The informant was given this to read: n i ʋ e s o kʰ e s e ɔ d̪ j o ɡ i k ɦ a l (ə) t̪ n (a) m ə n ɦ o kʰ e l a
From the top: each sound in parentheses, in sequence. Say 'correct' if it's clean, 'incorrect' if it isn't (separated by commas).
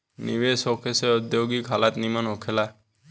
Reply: incorrect, incorrect